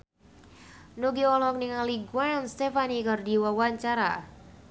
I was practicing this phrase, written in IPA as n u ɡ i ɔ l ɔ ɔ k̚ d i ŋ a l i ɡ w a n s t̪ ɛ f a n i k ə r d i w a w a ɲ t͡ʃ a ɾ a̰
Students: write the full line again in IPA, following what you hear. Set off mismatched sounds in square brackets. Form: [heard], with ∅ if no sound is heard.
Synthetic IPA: n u ɡ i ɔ l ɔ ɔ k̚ [n] i ŋ a l i ɡ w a n s t̪ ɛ f a n i k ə r d i w a w a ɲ t͡ʃ a ɾ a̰